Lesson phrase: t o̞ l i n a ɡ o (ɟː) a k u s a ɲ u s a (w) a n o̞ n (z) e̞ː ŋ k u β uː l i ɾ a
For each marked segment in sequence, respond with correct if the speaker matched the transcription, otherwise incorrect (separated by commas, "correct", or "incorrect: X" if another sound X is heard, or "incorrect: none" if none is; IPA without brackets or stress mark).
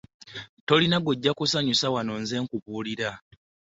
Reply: correct, correct, correct